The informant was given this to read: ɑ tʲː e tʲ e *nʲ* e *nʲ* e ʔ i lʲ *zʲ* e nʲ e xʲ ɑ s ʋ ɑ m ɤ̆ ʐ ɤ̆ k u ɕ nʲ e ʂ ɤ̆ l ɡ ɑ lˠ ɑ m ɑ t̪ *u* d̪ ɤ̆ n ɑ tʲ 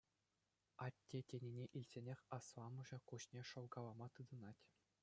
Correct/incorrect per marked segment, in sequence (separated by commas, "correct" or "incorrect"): correct, correct, incorrect, incorrect